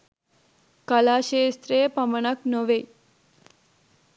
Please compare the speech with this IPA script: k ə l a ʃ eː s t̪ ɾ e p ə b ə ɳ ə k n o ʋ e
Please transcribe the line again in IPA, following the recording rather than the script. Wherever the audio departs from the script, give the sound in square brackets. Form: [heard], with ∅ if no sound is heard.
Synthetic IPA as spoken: k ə l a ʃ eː s t̪ ɾ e p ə [m] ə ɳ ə k n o ʋ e